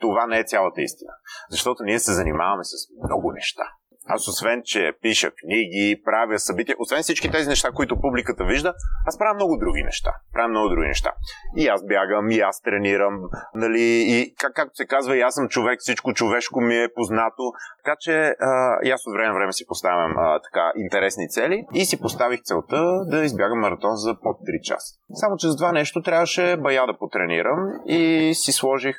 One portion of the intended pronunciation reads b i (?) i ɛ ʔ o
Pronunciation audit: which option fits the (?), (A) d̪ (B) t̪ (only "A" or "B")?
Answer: B